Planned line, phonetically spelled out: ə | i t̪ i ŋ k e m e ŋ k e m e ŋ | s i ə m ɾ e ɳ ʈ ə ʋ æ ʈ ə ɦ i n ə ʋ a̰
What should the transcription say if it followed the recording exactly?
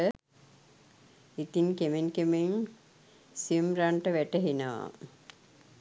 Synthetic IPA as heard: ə | i t̪ i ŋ k e m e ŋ k e m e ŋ | s i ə m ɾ a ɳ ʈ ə ʋ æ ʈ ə ɦ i n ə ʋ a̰